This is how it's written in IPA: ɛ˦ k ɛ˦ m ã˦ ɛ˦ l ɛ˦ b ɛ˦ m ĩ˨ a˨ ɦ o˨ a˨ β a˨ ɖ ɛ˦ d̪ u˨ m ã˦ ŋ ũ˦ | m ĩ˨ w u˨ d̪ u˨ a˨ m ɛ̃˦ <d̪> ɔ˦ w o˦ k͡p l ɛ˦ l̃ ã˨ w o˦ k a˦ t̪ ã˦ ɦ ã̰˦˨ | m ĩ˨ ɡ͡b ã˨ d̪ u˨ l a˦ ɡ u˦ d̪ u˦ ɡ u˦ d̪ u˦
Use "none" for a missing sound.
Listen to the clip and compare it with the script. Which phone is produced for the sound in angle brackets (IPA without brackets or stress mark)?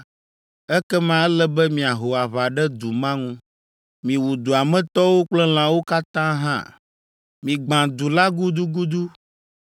t̪